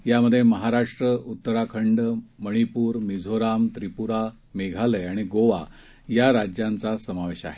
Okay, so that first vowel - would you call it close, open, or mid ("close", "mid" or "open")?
open